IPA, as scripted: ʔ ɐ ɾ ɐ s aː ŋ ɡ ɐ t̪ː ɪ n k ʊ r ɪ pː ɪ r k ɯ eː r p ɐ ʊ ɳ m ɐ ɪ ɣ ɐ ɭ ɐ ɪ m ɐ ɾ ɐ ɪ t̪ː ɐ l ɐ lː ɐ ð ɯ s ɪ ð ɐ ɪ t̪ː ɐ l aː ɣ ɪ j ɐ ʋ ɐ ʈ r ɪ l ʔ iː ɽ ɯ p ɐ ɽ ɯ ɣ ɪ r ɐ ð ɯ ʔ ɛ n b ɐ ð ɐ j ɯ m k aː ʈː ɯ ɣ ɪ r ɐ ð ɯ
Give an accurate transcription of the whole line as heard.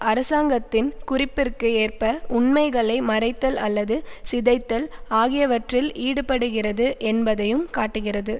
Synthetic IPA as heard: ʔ ɐ ɾ ɐ s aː ŋ ɡ ɐ t̪ː ɪ n k ʊ r ɪ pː ɪ r k ɯ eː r p ɐ ʊ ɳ m ɐ ɪ ɣ ɐ ɭ ɐ ɪ m ɐ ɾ ɐ ɪ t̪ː ɐ l ɐ lː ɐ ð ɯ s ɪ ð ɐ ɪ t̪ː ɐ l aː ɣ ɪ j ɐ ʋ ɐ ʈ r ɪ l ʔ iː ɽ ɯ p ɐ ɽ ɯ ɣ ɪ r ɐ ð ɯ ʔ ɛ n b ɐ ð ɐ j ɯ m k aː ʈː ɯ ɣ ɪ r ɐ ð ɯ